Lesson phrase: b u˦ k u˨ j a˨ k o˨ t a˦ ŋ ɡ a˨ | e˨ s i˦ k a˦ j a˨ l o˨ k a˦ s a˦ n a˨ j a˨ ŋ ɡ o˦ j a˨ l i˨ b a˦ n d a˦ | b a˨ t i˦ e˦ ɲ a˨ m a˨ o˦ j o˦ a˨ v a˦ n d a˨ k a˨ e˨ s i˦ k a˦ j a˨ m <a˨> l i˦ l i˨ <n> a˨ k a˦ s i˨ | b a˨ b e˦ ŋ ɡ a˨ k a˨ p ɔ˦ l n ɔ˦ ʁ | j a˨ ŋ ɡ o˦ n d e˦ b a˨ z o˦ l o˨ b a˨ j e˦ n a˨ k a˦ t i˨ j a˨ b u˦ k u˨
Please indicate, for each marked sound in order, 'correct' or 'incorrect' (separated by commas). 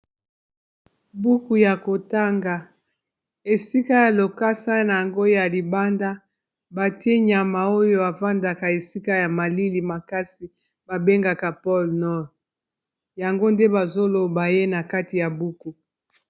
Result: correct, incorrect